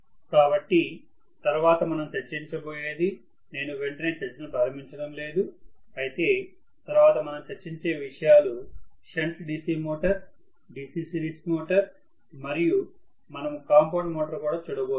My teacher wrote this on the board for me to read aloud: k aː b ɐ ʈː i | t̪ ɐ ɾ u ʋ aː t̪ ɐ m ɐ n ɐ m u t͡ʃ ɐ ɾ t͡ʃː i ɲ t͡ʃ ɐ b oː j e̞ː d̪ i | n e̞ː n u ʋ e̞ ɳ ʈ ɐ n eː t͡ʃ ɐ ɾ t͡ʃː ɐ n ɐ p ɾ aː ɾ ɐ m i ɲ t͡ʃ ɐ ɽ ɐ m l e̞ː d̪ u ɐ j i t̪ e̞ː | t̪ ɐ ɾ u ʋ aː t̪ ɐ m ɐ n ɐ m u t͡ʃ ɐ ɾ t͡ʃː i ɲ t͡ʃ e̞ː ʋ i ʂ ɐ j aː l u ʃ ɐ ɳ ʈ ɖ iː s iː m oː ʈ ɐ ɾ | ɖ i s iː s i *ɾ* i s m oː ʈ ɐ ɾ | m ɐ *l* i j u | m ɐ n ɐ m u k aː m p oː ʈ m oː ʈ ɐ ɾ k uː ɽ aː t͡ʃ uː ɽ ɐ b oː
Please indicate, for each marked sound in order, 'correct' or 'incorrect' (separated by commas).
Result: correct, incorrect